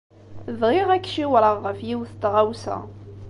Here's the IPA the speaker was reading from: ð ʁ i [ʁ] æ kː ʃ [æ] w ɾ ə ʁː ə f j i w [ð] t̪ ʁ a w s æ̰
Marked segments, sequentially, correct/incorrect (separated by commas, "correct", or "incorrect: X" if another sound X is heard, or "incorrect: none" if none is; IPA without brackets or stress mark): correct, incorrect: i, incorrect: θ